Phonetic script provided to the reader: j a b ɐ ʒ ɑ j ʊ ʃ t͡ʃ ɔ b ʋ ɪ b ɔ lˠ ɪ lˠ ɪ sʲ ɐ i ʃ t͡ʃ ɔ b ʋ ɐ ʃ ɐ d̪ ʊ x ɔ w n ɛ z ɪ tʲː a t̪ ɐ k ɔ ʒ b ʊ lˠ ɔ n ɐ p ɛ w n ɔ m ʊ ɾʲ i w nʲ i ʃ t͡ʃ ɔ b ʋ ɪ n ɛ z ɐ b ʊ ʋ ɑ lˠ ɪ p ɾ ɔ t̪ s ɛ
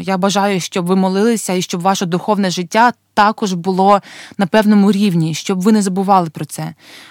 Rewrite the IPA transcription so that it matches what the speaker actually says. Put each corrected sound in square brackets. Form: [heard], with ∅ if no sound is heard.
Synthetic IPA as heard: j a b ɐ ʒ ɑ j ʊ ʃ t͡ʃ ɔ b ʋ ɪ [m] ɔ lˠ ɪ lˠ ɪ sʲ ɐ i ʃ t͡ʃ ɔ b ʋ [ɑ] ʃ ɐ d̪ ʊ x ɔ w n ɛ [ʒ] ɪ tʲː a t̪ [ɑ] k ɔ ʒ b ʊ lˠ ɔ n ɐ p ɛ w n ɔ m ʊ ɾʲ i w nʲ i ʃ t͡ʃ ɔ b ʋ ɪ n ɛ z ɐ b ʊ ʋ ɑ lˠ ɪ p ɾ ɔ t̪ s ɛ